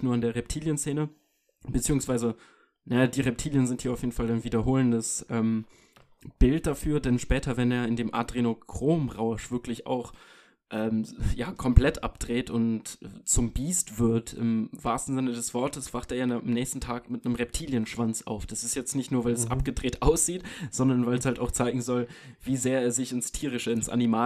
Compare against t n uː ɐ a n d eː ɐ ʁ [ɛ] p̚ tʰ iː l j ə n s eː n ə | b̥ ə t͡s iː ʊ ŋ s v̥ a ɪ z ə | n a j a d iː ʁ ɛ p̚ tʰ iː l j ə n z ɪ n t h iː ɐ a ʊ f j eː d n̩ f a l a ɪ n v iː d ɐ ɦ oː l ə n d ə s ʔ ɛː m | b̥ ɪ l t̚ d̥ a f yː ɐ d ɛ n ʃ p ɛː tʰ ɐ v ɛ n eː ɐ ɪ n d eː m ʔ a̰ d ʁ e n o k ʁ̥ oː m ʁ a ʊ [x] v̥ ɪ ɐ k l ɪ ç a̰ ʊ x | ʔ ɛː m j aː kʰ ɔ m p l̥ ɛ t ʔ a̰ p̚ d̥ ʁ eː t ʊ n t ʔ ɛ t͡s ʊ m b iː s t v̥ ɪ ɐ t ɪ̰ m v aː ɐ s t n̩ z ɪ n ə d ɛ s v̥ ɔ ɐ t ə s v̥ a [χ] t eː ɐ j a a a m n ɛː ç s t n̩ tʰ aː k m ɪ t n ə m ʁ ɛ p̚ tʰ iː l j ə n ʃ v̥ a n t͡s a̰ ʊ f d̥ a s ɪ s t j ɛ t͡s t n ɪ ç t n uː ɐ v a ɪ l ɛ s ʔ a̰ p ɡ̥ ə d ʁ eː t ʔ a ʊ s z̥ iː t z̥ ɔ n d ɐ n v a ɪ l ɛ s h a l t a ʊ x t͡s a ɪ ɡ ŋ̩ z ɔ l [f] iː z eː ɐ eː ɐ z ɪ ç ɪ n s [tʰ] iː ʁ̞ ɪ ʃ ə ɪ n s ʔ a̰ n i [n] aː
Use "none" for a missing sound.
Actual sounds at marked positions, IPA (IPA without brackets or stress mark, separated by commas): ɛ, ʃ, χ, v, tʰ, m